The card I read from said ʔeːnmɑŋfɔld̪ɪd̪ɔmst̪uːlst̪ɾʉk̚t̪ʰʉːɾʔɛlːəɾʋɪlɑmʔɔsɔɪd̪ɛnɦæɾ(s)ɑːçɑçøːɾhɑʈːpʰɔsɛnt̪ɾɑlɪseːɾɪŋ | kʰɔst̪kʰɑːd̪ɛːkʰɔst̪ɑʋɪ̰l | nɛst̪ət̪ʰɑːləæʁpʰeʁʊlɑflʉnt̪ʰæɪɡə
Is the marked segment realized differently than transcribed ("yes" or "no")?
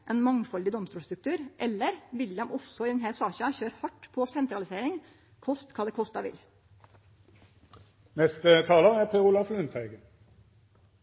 no